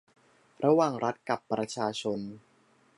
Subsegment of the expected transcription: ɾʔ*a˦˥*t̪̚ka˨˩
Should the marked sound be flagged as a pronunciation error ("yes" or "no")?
no